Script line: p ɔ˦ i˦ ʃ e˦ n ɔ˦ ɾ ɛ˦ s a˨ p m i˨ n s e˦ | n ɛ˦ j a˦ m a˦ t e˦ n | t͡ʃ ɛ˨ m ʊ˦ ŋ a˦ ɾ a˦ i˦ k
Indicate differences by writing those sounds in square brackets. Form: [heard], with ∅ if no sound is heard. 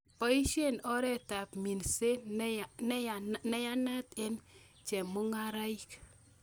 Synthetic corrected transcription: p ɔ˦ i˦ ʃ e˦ n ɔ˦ ɾ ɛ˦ [t] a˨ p m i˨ n s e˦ | n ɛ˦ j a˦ [n] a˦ t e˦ n | t͡ʃ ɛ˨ m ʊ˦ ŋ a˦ ɾ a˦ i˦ k